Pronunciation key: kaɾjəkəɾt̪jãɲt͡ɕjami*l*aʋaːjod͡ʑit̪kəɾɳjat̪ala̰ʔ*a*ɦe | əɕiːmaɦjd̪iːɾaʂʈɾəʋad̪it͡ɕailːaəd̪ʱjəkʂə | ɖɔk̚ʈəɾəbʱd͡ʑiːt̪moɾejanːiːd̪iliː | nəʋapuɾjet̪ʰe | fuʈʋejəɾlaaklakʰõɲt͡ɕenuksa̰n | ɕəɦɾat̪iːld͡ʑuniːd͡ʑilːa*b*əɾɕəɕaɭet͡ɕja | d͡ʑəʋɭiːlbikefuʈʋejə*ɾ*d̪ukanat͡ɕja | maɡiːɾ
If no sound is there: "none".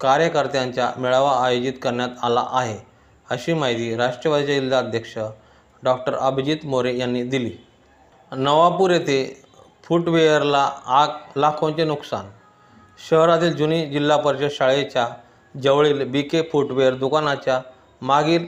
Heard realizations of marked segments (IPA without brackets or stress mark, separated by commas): ɭ, a, p, ɾ